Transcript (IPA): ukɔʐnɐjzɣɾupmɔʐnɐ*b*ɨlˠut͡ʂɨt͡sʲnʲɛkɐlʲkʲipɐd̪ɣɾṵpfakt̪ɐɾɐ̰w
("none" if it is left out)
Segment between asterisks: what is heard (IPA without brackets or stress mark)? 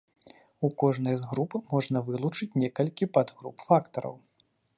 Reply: v